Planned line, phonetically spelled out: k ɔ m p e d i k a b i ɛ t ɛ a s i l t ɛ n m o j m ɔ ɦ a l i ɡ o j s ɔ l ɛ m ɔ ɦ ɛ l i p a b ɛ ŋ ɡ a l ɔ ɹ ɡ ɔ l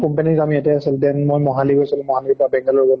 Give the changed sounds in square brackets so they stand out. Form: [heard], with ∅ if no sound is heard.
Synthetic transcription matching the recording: k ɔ m p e [n] i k a [m] i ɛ t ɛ a s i l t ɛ n m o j m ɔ ɦ a l i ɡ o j s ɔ l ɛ m ɔ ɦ [a] l i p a b ɛ ŋ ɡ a l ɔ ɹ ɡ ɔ l